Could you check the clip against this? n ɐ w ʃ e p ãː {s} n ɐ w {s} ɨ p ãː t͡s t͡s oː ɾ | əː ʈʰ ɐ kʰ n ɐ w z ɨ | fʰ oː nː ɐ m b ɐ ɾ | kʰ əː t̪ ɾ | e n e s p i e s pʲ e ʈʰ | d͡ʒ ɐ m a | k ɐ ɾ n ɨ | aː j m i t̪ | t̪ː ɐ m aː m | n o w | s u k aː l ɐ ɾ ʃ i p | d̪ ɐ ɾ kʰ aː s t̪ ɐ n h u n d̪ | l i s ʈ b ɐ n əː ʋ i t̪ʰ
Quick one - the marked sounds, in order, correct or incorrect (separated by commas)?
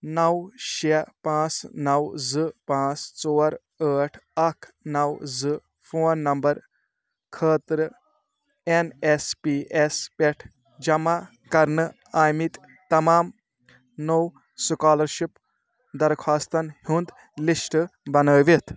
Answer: incorrect, incorrect